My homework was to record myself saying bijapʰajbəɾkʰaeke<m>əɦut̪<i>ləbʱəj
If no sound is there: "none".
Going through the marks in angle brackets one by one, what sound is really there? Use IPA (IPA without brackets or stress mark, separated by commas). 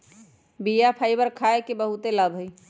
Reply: b, e